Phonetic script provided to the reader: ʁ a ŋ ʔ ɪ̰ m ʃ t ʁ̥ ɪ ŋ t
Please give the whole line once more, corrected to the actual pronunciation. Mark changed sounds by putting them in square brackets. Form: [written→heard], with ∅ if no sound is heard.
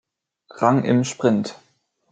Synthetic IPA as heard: ʁ a ŋ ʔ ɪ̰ m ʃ [t→p] ʁ̥ ɪ [ŋ→n] t